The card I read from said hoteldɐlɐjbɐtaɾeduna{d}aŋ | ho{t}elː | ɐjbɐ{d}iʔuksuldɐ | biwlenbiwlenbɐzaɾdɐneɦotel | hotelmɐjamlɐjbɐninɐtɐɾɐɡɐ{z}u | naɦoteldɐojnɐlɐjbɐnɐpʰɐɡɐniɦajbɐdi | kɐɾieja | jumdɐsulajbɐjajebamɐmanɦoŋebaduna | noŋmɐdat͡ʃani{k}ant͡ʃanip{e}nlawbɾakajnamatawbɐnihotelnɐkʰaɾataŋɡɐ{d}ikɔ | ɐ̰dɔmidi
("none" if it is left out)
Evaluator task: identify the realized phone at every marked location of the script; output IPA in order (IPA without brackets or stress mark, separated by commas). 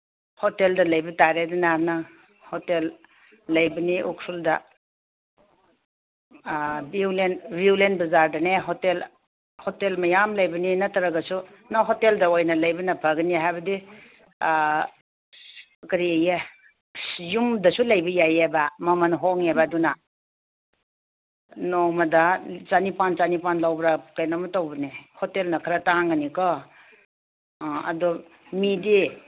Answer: n, t, n, s, p, a, n